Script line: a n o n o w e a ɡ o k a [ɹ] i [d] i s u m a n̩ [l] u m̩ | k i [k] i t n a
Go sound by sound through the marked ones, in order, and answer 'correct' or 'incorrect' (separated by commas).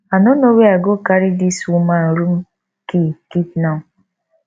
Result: incorrect, correct, incorrect, correct